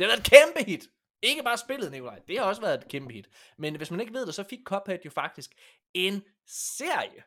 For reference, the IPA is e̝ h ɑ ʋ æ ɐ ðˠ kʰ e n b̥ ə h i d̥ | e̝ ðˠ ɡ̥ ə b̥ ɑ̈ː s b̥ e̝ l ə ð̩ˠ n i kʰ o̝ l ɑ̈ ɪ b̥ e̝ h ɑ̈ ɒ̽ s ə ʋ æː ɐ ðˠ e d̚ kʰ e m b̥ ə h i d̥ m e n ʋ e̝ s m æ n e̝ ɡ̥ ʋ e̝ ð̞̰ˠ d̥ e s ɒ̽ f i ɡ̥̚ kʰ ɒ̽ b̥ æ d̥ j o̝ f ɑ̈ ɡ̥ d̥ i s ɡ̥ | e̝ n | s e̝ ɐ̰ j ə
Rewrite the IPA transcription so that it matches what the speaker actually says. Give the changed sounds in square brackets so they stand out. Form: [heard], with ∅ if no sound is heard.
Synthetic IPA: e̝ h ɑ ʋ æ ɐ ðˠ kʰ e [m] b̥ ə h i d̥ | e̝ [∅] ɡ̥ ə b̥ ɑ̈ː s b̥ e̝ l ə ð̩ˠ n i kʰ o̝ l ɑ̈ ɪ [d̥] e̝ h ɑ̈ ɒ̽ s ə ʋ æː ɐ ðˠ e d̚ kʰ e m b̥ ə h i d̥ m e n ʋ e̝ s m æ n e̝ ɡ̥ ʋ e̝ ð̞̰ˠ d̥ e s ɒ̽ f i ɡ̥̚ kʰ ɒ̽ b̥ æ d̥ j o̝ f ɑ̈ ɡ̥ d̥ i s ɡ̥ | e̝ n | s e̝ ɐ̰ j ə